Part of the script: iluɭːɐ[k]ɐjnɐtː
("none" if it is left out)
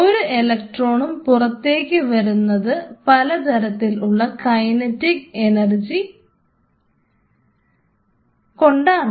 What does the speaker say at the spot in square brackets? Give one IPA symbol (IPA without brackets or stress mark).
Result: k